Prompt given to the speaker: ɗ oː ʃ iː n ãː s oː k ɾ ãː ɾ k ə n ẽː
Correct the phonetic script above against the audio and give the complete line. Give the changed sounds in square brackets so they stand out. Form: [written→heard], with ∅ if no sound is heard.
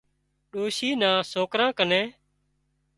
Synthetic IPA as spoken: ɗ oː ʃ iː n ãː s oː k ɾ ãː [ɾ→∅] k ə n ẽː